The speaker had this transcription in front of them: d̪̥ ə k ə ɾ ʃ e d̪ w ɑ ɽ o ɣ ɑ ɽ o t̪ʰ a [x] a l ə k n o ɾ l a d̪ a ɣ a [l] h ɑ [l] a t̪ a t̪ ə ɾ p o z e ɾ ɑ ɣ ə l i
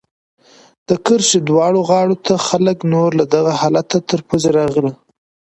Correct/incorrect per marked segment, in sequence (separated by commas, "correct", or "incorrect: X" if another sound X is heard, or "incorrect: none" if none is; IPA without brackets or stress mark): correct, incorrect: none, correct